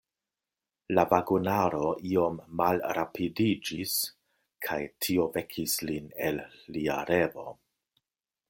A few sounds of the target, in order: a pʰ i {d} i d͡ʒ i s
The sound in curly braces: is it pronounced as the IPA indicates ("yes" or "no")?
yes